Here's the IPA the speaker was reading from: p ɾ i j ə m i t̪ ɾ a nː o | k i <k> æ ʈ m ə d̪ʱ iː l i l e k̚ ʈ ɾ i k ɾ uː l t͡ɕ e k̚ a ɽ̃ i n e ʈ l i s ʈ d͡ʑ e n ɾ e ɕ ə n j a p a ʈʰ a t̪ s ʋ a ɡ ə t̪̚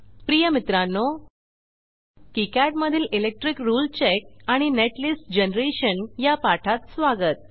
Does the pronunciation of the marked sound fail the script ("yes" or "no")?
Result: no